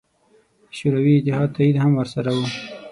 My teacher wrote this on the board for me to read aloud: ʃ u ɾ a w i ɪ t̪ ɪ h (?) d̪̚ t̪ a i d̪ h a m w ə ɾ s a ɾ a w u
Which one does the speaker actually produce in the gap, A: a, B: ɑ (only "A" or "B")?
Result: B